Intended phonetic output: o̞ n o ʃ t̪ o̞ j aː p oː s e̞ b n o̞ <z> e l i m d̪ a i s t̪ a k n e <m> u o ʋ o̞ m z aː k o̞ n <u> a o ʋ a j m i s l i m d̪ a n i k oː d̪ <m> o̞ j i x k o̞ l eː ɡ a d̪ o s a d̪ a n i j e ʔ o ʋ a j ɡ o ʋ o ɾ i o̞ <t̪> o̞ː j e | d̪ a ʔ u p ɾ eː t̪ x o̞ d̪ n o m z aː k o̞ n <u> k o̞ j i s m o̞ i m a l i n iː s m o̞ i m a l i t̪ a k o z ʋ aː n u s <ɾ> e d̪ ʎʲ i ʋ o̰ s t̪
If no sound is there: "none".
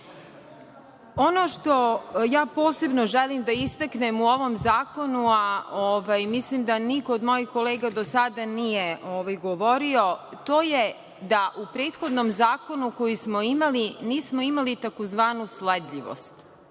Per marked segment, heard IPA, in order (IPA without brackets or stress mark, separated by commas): ʒ, m, u, m, t̪, u, l